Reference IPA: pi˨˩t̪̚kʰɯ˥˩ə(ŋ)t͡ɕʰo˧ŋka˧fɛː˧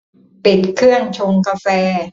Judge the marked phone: correct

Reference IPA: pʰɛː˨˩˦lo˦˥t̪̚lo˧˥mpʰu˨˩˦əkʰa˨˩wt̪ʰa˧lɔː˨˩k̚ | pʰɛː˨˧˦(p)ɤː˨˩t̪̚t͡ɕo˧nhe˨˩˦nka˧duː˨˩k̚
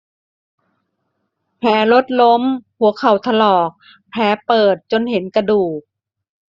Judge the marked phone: correct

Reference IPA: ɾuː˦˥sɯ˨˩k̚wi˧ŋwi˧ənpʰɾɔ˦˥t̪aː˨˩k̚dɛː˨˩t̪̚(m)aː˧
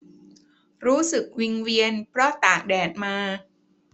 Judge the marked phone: correct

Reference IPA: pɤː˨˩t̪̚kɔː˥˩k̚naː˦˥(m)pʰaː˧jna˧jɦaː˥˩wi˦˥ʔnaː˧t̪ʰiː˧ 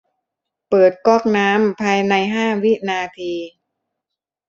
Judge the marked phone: correct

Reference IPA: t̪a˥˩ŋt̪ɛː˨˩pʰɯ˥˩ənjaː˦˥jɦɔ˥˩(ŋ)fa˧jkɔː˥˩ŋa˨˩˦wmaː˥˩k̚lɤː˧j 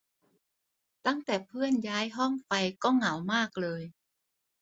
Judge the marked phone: correct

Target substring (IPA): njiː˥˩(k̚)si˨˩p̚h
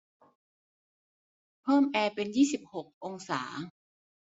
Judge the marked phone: incorrect: none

